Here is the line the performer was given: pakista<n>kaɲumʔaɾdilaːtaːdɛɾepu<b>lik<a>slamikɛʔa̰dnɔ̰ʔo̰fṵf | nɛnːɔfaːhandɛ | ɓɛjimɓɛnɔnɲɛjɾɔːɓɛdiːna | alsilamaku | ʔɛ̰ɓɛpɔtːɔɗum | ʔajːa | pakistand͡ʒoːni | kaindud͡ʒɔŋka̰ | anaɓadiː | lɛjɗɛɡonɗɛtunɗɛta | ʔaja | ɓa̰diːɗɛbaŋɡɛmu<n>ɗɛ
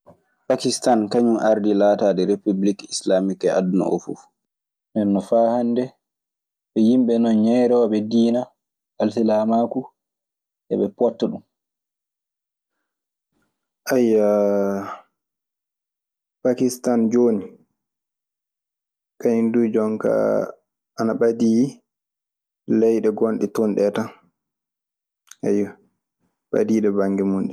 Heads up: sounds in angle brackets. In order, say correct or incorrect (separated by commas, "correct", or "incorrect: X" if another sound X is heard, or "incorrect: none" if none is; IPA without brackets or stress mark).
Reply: correct, correct, incorrect: i, correct